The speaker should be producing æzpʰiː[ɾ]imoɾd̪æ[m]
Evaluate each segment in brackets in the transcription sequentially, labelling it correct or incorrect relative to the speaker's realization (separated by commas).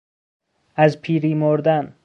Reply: correct, incorrect